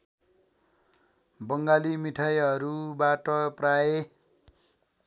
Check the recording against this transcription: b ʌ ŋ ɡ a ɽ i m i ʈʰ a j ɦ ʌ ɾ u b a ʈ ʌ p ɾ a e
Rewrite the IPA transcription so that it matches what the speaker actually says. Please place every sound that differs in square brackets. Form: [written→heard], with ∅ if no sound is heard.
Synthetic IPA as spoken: b ʌ ŋ ɡ a [ɽ→l] i m i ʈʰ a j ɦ ʌ ɾ u b a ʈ ʌ p [ɾ→r] a e